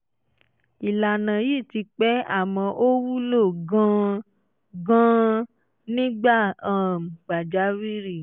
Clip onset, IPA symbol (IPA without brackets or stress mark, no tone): i